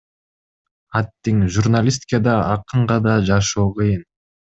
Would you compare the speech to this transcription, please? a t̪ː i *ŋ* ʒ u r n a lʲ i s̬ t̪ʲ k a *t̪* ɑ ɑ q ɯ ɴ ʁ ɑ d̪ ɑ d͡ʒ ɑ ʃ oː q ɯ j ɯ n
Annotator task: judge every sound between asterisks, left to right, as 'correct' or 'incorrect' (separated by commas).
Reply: correct, incorrect